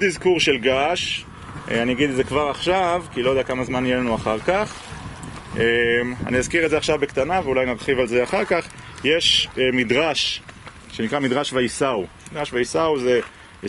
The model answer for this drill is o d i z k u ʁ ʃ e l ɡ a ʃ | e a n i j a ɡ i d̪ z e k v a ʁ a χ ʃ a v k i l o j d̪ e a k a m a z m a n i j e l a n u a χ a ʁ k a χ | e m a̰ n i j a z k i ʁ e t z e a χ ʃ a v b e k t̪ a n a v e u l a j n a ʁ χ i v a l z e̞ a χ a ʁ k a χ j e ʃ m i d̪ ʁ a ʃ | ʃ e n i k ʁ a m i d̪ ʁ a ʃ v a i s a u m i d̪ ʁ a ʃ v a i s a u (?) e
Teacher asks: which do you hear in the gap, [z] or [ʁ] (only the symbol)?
z